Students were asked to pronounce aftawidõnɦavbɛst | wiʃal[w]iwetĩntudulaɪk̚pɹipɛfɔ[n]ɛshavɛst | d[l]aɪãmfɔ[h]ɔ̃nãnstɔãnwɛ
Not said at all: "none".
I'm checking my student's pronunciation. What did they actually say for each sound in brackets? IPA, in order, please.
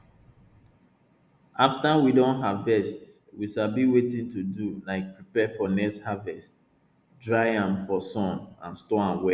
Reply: b, n, ɹ, s

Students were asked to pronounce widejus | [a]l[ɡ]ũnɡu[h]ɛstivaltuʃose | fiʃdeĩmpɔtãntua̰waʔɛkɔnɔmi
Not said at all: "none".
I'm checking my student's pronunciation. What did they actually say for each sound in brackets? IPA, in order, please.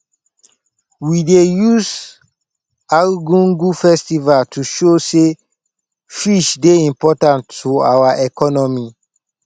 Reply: a, ɡ, f

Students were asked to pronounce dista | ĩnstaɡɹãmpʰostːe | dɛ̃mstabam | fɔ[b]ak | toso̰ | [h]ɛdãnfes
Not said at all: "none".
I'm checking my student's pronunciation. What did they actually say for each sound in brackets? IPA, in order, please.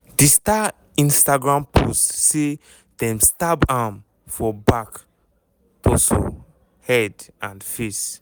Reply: b, h

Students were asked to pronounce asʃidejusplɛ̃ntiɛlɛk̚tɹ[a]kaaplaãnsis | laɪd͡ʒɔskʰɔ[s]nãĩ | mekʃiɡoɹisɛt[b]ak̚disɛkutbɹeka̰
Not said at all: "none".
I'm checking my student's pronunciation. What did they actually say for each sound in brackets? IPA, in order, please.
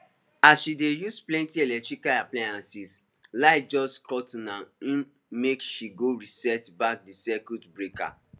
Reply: i, t, b

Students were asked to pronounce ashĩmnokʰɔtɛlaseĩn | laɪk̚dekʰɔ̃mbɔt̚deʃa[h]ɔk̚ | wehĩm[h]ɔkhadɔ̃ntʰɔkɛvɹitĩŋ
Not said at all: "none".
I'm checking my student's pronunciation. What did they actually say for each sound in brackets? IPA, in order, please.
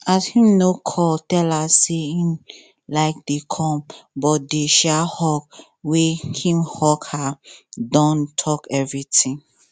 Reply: h, h

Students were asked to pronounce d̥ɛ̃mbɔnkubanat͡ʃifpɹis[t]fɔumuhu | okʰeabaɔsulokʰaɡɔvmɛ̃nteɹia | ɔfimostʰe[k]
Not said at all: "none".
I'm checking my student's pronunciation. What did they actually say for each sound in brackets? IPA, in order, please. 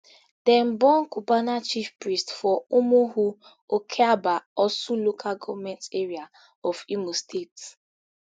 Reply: t, t

